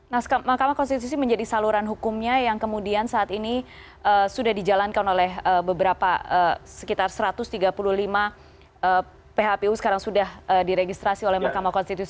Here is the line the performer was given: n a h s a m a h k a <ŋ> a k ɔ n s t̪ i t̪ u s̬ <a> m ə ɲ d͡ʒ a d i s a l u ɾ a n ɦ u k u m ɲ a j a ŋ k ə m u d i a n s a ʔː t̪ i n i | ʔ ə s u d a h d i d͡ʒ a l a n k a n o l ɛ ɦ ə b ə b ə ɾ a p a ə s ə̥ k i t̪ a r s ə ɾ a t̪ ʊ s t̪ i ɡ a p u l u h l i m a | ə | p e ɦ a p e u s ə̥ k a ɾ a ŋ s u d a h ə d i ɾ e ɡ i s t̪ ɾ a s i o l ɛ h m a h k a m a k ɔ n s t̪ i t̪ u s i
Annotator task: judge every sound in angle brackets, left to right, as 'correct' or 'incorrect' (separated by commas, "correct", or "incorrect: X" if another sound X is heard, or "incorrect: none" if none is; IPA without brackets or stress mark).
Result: incorrect: m, incorrect: i